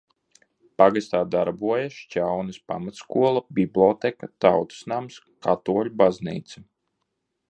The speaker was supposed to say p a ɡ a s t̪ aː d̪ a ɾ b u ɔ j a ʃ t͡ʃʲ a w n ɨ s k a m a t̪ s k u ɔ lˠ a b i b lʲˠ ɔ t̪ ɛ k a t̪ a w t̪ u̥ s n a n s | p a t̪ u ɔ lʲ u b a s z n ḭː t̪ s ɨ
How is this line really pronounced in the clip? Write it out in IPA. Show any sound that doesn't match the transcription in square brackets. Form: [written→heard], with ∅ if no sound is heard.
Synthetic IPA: p a ɡ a s t̪ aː d̪ a ɾ b u ɔ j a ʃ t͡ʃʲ a w n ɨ s [k→p] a m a t̪ s k u ɔ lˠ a b i b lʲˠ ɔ t̪ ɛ k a t̪ a w t̪ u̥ s n a [n→m] s | [p→k] a t̪ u ɔ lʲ u b a [s→∅] z n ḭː t̪ s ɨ